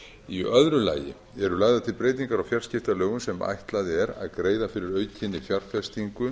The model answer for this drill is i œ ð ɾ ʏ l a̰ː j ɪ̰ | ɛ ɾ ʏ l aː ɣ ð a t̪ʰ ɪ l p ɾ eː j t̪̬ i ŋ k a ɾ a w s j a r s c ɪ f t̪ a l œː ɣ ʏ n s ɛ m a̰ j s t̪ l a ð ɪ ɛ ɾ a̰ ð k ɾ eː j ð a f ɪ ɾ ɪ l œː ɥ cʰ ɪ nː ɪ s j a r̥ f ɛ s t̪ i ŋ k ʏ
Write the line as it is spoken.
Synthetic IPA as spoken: i œ ð ɾ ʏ l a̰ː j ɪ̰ | ɛ ɾ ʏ l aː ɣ ð a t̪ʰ ɪ l p ɾ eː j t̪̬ i ŋ k a ɾ a w f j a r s c ɪ f t̪ a l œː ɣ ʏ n s ɛ m a̰ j h t̪ l a ð ɪ ɛ ɾ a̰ ð k ɾ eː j ð a f ɪ ɾ ɪ ɾ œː ɥ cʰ ɪ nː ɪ f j a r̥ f ɛ s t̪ i ŋ k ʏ